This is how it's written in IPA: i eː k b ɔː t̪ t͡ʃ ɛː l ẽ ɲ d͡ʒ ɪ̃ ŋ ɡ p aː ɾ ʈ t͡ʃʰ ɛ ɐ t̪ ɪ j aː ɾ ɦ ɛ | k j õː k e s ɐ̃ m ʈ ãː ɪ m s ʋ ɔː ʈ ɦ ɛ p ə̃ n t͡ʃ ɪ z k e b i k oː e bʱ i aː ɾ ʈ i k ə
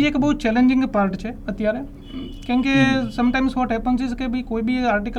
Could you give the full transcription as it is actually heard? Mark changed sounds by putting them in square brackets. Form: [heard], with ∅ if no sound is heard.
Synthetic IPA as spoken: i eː k b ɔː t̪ t͡ʃ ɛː l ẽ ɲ d͡ʒ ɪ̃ ŋ ɡ p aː ɾ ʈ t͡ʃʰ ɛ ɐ t̪ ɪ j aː ɾ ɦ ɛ | k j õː k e s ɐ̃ m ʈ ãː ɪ m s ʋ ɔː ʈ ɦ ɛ p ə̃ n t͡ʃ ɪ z k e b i k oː [i] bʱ i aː ɾ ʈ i k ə